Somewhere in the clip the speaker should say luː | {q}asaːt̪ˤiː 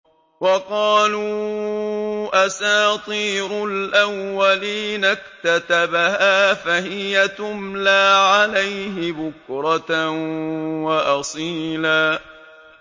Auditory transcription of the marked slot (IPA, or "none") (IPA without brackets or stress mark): ʔ